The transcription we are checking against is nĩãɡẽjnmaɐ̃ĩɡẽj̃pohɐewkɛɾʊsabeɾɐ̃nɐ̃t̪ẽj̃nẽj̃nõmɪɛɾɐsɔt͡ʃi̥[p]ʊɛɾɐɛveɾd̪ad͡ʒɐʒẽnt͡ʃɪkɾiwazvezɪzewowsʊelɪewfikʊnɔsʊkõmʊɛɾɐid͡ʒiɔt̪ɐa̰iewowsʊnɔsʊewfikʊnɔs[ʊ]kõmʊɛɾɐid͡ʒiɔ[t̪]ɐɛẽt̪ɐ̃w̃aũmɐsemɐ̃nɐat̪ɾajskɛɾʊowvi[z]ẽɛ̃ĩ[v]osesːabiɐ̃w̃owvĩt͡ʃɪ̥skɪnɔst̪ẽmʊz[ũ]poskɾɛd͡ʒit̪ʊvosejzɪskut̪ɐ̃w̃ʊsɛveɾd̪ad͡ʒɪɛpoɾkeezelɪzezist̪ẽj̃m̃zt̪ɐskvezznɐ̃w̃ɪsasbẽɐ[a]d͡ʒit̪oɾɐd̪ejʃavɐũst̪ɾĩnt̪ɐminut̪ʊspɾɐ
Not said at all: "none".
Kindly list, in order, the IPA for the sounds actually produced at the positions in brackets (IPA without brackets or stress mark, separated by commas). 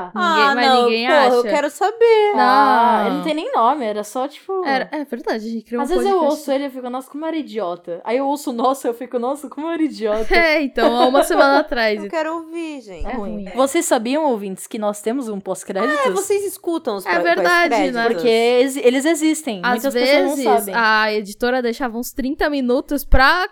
p, ʊ, t̪, ʒ, v, ũ, e